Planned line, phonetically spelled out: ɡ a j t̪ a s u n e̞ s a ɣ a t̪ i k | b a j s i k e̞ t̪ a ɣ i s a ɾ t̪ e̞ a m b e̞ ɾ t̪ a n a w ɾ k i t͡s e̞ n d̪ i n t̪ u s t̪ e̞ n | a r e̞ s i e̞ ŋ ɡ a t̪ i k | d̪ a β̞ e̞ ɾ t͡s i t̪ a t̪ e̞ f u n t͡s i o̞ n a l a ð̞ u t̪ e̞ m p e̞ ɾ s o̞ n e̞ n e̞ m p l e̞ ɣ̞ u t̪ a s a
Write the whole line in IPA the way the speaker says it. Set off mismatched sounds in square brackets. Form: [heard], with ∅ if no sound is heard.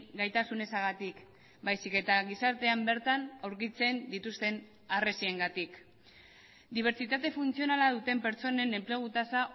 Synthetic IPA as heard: ɡ a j t̪ a s u n e̞ s a ɣ a t̪ i k | b a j s i k e̞ t̪ a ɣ i s a ɾ t̪ e̞ a m b e̞ ɾ t̪ a n a w ɾ k i t͡s e̞ n d̪ i [∅] t̪ u s t̪ e̞ n | a r e̞ s i e̞ ŋ ɡ a t̪ i k | d̪ [i] β̞ e̞ ɾ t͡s i t̪ a t̪ e̞ f u n t͡s i o̞ n a l a ð̞ u t̪ e̞ m p e̞ ɾ [t͡s] o̞ n e̞ n e̞ m p l e̞ ɣ̞ u t̪ a s a